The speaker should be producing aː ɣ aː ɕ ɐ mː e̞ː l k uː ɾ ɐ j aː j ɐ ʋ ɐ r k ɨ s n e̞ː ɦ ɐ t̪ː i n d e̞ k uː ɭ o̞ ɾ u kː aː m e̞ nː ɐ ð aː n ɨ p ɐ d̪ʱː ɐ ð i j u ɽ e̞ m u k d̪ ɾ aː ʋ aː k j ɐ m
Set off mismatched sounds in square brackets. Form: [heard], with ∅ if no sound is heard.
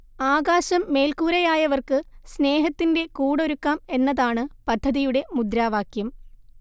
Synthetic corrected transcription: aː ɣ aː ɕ ɐ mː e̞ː l k uː ɾ ɐ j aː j ɐ ʋ ɐ r k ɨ s n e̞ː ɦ ɐ t̪ː i n d e̞ k uː [ɽ] o̞ ɾ u kː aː m e̞ nː ɐ ð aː [ɳ] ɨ p ɐ d̪ʱː ɐ ð i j u ɽ e̞ m u [∅] d̪ ɾ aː ʋ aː k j ɐ m